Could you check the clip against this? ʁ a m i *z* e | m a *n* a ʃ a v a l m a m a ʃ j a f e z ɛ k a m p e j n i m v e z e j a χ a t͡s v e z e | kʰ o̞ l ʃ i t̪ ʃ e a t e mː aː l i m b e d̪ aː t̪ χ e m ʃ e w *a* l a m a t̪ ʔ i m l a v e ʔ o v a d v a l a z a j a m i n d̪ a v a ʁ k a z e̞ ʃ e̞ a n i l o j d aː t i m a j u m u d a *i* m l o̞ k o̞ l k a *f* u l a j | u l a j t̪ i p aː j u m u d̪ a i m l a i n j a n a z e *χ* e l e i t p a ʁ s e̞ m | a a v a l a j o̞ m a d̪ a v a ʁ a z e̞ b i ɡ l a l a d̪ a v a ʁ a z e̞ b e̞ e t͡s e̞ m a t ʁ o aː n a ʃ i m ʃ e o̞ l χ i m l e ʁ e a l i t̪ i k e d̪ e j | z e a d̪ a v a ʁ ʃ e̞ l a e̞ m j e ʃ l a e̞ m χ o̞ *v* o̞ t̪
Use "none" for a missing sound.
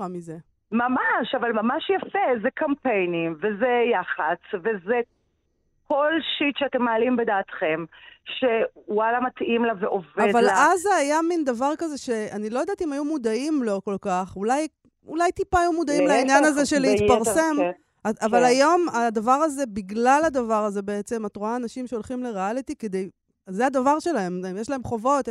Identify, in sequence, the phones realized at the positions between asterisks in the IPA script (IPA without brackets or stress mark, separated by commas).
z, m, a, i, χ, ʃ, v